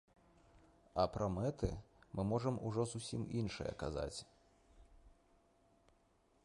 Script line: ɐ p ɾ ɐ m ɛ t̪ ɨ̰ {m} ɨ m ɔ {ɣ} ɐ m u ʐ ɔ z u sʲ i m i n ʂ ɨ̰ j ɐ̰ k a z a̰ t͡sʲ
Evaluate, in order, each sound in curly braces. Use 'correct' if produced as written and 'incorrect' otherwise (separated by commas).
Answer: correct, incorrect